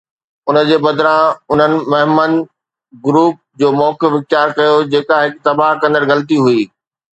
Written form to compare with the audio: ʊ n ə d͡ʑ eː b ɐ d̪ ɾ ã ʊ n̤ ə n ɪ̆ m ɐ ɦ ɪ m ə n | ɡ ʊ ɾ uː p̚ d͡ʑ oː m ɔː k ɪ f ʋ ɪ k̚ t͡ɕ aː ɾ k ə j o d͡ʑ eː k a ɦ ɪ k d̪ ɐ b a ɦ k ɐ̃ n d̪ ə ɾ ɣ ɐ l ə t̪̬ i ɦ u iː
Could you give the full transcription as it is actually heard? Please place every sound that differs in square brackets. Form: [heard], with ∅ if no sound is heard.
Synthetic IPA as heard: ʊ n ə d͡ʑ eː b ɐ d̪ ɾ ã ʊ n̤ ə n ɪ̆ m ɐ ɦ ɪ m ə n | ɡ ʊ ɾ uː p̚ d͡ʑ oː m ɔː k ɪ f ʋ ɪ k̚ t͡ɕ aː ɾ k [ɐ] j o d͡ʑ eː k a ɦ ɪ k [t̪] ɐ b a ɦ k ɐ̃ n d̪ ə ɾ ɣ ɐ l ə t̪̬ i ɦ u iː